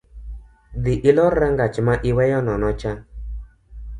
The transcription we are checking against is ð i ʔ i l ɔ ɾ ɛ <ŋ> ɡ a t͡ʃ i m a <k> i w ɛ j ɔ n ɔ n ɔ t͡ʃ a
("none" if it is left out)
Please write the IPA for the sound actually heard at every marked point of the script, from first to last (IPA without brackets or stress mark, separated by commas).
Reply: ŋ, ʔ